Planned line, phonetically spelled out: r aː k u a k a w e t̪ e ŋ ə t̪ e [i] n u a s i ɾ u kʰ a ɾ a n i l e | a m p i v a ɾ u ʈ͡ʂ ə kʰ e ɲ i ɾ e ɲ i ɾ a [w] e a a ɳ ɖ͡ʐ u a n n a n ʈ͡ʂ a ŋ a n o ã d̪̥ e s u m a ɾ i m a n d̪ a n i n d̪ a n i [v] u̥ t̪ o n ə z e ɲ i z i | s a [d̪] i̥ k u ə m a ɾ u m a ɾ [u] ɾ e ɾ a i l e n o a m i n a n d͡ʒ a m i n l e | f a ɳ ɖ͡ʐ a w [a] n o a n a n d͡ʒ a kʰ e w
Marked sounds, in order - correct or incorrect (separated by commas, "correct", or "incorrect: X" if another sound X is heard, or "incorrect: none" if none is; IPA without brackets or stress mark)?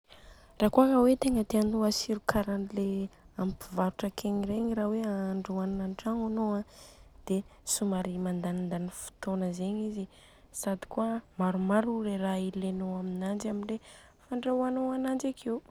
incorrect: a, correct, incorrect: f, correct, correct, correct